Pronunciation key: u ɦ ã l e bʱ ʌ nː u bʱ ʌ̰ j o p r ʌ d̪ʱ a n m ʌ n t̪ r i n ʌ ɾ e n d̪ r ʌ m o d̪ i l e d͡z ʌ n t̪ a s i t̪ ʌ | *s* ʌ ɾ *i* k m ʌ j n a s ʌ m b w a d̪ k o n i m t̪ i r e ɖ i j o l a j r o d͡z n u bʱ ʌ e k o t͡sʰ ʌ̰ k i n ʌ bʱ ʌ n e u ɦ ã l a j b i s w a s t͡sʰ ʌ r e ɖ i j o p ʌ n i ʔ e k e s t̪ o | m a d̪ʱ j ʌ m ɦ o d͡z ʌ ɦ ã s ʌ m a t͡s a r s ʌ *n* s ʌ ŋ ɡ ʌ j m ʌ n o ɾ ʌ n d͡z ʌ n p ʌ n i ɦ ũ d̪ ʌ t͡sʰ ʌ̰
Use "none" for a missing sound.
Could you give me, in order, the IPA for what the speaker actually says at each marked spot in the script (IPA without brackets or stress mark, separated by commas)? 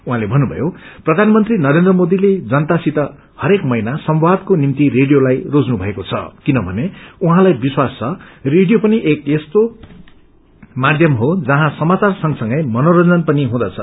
h, e, ŋ